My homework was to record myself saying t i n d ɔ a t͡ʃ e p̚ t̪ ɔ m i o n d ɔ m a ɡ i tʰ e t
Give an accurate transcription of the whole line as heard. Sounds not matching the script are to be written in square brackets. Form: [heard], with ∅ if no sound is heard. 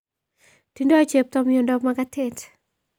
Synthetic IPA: t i n d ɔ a t͡ʃ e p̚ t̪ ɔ m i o n d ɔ m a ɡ [a] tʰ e t